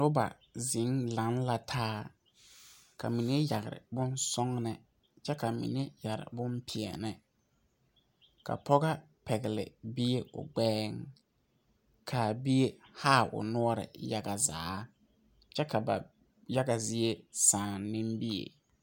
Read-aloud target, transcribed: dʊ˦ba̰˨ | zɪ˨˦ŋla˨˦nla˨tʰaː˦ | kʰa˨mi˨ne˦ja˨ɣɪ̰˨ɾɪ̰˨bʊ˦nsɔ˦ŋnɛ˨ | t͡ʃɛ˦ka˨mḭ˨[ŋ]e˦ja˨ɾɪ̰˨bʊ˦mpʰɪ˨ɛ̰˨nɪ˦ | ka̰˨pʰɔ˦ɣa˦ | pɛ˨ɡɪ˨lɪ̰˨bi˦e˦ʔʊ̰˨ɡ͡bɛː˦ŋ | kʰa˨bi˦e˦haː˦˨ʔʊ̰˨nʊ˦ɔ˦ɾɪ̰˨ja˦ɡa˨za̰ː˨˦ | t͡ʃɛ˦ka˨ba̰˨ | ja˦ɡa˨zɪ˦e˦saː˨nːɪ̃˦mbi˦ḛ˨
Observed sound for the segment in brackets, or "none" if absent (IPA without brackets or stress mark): n